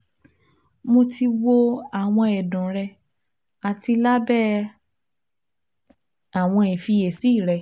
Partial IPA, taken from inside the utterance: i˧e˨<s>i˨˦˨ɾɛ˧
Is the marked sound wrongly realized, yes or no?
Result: no